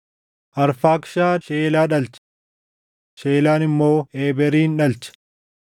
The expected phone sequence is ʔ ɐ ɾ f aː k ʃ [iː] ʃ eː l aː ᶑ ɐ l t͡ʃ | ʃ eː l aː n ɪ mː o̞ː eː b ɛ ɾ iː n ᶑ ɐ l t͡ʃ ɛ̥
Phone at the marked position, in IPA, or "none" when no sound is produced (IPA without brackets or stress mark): aː